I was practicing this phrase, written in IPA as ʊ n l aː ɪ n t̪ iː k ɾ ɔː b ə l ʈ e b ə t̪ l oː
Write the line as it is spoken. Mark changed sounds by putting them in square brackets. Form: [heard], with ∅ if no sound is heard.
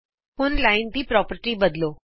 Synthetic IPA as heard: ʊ n l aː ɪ n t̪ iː [p] ɾ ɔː [p] ə [ɾ] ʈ [i] b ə [d̪] l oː